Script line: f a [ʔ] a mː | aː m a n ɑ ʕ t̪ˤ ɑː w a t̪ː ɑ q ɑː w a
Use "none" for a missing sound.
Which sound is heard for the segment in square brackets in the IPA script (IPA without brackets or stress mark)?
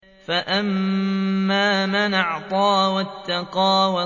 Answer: ʔ